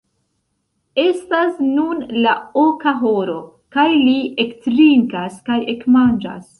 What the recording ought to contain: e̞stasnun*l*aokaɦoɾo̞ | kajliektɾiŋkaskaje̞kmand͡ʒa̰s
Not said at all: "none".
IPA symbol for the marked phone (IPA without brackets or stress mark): l